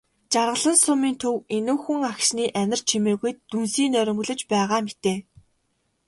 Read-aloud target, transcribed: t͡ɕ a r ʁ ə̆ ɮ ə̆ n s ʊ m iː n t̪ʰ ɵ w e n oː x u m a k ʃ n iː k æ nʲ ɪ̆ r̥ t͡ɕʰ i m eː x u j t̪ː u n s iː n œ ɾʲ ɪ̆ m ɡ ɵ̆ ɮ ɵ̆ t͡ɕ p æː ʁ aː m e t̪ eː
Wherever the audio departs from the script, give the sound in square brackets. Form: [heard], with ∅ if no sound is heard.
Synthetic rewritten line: t͡ɕ a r ʁ ə̆ ɮ ə̆ n s ʊ m iː n t̪ʰ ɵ w e n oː x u [ŋ] a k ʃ n iː [ʔ] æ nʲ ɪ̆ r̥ t͡ɕʰ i m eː [ɣ] u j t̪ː u n s iː n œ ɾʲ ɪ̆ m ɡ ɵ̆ ɮ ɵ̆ t͡ɕ p æː ʁ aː m e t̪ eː